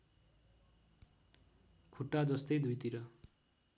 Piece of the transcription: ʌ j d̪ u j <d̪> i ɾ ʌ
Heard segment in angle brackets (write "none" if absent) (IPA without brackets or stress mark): t̪